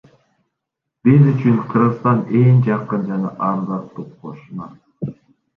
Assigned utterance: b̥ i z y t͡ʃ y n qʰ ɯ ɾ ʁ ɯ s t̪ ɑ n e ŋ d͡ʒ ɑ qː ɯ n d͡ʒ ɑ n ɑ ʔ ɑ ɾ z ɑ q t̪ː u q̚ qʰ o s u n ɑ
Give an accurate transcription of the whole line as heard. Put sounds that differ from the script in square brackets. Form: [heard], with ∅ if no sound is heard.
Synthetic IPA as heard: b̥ i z y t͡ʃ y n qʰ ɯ ɾ ʁ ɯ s t̪ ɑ n e ŋ d͡ʒ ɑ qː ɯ n d͡ʒ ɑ n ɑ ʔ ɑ ɾ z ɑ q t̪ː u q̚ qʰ o [ʃ] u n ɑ